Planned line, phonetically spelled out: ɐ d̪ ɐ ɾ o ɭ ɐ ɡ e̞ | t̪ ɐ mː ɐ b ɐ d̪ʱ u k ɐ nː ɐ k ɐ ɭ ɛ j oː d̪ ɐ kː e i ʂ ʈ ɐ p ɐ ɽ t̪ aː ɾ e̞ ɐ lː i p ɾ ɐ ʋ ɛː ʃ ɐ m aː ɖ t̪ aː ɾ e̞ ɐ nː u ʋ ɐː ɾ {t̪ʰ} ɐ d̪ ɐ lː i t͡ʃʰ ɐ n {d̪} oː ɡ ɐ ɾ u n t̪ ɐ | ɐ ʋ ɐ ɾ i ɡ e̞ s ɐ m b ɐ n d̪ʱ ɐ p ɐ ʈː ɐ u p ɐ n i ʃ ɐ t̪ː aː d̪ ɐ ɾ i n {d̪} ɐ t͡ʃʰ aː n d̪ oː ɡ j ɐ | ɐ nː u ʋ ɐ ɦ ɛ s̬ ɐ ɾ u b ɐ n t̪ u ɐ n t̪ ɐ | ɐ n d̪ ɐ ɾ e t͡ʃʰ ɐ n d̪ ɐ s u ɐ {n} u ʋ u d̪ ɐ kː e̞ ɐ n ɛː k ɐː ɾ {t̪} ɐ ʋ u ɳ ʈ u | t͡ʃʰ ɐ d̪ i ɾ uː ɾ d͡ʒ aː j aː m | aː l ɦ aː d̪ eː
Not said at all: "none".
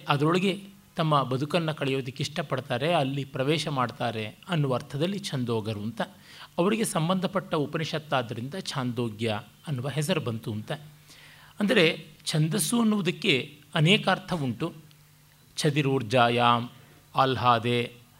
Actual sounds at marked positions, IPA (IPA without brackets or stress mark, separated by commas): t̪ʰ, d̪, d̪, nː, t̪ʰ